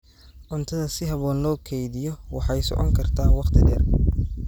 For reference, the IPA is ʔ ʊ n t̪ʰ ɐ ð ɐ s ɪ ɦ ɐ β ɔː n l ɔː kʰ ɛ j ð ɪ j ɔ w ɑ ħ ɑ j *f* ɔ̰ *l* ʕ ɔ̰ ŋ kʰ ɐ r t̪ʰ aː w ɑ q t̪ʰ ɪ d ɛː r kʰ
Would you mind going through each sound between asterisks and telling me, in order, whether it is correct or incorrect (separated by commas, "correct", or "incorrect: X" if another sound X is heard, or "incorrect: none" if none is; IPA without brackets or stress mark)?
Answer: incorrect: s, incorrect: none